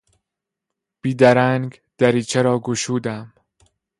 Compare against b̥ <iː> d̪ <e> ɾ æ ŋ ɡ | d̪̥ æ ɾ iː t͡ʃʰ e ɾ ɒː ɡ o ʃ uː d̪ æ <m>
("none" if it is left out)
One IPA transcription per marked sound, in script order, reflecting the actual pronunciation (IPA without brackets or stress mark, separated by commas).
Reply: iː, æ, m